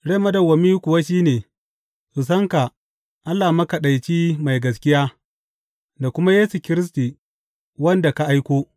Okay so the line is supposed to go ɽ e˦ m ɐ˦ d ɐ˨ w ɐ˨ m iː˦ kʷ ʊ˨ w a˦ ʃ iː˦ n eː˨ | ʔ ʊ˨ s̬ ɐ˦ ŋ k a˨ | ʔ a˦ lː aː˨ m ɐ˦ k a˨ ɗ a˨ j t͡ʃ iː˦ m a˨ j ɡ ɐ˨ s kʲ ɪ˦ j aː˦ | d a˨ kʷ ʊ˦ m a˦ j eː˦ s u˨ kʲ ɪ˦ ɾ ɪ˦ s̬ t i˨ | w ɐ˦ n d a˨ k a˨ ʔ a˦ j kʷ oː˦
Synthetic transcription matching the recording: ɽ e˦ m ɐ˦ d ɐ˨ w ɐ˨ m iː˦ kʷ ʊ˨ w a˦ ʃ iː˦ n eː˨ | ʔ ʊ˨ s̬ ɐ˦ ŋ k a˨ | ʔ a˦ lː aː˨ m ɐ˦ k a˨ ɗ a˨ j t͡ʃ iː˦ m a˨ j ɡ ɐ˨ s kʲ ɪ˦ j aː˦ | d a˨ kʷ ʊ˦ m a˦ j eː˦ s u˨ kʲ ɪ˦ ɾ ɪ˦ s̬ t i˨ | w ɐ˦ n d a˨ k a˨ ʔ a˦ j kʷ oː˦